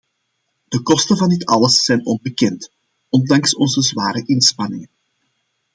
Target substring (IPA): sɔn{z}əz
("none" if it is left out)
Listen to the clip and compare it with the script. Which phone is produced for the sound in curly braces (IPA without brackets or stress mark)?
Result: z